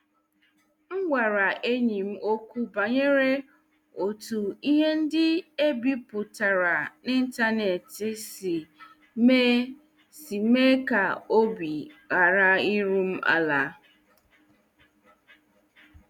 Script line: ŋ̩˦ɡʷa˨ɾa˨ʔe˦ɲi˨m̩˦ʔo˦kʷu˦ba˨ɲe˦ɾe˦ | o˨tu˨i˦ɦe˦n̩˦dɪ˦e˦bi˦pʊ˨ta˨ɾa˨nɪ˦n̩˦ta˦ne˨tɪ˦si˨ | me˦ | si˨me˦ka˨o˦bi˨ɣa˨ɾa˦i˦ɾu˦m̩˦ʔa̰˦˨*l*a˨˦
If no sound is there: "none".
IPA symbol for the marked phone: l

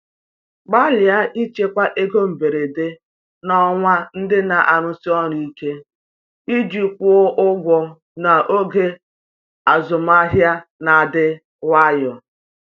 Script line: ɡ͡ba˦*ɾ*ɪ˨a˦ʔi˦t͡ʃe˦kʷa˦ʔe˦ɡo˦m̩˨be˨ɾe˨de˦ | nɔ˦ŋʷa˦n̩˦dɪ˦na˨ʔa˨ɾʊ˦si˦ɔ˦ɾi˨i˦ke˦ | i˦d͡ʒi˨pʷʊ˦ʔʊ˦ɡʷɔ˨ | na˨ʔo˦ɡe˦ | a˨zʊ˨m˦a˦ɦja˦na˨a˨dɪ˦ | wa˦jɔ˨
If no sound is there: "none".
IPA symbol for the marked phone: l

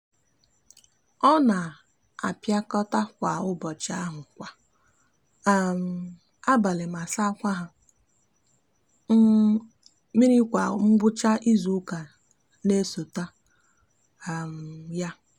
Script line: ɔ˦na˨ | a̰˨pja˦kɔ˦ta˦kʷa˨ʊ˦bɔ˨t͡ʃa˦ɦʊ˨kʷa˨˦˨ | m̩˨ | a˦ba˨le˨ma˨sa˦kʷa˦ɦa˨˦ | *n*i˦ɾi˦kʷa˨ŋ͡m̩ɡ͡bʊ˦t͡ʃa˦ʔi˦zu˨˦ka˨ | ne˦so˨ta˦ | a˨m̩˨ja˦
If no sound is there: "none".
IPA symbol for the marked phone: m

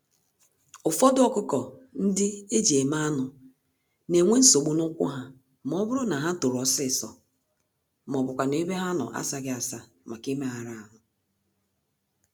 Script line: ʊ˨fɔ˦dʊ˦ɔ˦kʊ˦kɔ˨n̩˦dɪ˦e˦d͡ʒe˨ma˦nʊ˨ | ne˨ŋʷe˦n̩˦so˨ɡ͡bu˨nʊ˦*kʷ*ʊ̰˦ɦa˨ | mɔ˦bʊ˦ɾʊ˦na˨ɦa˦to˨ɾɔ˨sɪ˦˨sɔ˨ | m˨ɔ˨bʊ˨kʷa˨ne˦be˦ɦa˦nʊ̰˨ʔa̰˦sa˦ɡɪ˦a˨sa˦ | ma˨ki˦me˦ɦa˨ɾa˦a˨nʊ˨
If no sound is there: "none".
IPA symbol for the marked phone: kʷ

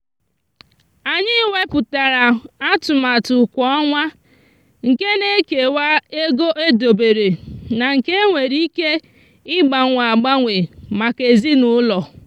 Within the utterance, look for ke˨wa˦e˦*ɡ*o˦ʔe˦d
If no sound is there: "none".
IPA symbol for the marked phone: ɡ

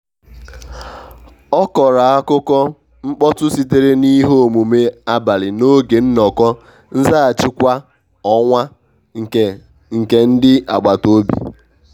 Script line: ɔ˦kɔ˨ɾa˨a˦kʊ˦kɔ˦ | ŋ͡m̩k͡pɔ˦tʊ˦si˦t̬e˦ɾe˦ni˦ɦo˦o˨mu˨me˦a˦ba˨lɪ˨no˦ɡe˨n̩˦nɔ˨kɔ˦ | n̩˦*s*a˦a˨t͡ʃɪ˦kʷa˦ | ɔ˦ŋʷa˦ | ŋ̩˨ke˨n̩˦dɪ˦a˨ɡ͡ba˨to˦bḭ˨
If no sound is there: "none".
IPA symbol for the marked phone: z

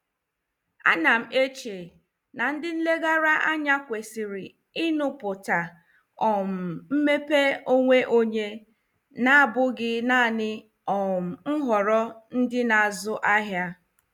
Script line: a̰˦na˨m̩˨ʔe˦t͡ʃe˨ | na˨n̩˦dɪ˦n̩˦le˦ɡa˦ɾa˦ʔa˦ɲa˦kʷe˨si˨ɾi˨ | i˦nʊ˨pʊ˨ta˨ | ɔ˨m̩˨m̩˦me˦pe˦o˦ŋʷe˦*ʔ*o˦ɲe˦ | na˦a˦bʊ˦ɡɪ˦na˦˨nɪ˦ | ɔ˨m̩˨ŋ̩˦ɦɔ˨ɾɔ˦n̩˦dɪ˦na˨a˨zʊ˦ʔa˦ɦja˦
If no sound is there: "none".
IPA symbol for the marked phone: ʔ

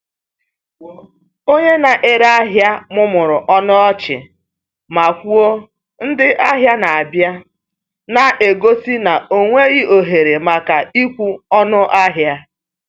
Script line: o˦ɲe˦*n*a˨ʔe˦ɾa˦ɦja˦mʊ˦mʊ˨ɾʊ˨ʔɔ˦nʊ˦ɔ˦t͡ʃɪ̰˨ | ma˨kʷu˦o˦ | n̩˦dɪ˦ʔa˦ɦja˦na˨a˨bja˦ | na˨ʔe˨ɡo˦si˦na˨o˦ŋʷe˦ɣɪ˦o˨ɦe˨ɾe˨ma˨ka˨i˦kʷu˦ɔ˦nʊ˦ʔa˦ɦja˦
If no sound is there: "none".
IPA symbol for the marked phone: n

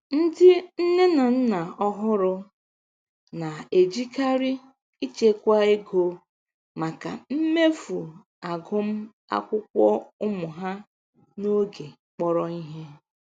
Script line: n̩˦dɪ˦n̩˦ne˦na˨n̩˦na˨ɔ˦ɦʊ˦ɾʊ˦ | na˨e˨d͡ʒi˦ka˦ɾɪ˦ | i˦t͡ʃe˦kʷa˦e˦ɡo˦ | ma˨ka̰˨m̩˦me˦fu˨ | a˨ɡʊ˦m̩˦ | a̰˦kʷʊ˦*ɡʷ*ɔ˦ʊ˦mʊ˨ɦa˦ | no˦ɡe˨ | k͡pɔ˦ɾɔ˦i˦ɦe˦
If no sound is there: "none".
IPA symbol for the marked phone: kʷ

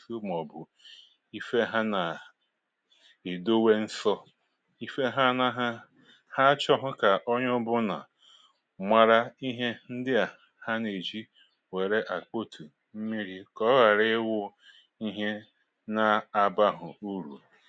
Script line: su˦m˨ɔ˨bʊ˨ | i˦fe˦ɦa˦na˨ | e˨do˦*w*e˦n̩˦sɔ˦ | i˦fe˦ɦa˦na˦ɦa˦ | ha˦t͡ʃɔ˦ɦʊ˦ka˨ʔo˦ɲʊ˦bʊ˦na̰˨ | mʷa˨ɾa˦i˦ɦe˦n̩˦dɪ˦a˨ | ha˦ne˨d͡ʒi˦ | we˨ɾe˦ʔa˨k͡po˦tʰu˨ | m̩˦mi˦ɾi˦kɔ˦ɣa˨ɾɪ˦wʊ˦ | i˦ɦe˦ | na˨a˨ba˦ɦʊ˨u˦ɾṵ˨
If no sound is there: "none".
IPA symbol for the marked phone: w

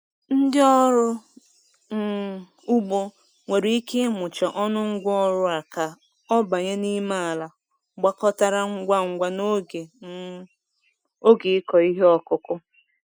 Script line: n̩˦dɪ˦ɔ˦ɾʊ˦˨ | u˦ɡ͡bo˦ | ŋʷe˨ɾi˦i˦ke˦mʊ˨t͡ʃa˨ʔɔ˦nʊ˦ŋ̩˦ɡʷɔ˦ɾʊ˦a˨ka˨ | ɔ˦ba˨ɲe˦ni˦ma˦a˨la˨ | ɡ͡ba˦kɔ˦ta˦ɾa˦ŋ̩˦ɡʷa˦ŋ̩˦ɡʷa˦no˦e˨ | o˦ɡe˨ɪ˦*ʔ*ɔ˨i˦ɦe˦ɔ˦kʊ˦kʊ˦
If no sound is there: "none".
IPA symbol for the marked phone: k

